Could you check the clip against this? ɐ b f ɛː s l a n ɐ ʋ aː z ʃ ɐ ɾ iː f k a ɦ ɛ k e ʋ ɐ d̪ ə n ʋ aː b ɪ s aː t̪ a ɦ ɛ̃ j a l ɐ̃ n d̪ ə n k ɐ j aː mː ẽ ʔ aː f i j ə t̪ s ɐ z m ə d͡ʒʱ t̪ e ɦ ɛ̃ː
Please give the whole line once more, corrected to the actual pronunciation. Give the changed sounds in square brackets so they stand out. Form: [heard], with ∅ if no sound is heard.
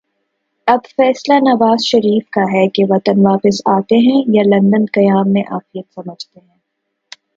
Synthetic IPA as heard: ɐ b f ɛː s l a n ɐ ʋ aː z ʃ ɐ ɾ iː f k a ɦ ɛ k e ʋ ɐ [t̪] ə n ʋ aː [p] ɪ s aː t̪ [e] ɦ ɛ̃ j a l ɐ̃ n d̪ ə n k ɐ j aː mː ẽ ʔ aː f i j ə t̪ s ɐ [∅] m ə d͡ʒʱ t̪ e ɦ ɛ̃ː